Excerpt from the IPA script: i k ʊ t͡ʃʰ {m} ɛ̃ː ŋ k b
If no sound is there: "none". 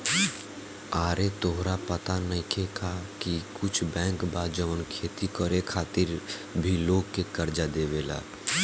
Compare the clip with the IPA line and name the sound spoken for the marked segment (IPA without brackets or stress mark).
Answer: b